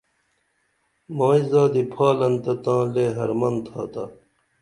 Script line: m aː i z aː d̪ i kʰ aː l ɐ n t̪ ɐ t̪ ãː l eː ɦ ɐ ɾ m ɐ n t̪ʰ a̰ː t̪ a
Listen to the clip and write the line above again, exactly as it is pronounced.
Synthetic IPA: m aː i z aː d̪ i pʰ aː l ɐ n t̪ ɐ t̪ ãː l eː ɦ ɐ ɾ m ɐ n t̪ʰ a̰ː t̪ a